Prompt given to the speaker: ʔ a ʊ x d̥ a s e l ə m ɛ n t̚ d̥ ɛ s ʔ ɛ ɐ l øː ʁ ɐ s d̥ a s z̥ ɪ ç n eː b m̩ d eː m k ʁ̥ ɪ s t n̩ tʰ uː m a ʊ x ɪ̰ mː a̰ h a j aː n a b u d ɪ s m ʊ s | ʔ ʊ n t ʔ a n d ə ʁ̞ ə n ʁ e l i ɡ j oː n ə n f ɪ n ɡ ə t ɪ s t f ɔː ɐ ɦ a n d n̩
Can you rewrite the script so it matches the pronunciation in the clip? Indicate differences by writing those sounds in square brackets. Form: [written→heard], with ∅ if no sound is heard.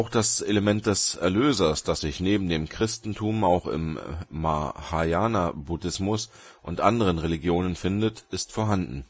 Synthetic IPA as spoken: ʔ a ʊ x d̥ a s e l ə m ɛ n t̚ d̥ ɛ s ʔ ɛ ɐ l øː [ʁ→z] ɐ s d̥ a s z̥ ɪ ç n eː b m̩ d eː m k ʁ̥ ɪ s t n̩ tʰ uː m a ʊ x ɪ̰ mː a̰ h a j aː n a b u d ɪ s m ʊ s | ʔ ʊ n t ʔ a n d ə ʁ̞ ə n ʁ e l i ɡ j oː n ə n f ɪ n [ɡ→d] ə t ɪ s t f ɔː ɐ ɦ a n d n̩